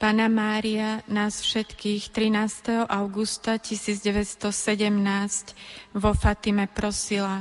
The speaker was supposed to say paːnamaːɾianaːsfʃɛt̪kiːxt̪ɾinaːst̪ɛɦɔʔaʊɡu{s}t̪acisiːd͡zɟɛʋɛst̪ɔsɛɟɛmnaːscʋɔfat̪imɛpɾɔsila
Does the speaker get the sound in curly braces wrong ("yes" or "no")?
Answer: no